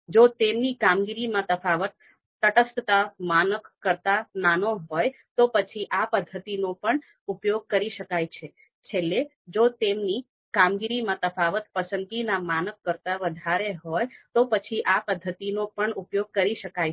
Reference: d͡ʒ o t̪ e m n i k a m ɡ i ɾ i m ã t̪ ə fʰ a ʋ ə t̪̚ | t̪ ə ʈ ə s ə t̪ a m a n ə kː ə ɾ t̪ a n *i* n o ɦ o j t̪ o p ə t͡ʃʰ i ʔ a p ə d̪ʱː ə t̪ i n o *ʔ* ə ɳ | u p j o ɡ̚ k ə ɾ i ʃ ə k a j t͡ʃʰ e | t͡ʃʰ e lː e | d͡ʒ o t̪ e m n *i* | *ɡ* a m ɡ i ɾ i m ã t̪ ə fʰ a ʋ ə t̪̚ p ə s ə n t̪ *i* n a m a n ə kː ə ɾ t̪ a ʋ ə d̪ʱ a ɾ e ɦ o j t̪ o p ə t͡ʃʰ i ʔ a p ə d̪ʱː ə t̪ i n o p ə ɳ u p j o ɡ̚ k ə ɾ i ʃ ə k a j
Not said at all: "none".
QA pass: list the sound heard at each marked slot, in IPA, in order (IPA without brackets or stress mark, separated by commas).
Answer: a, p, i, k, i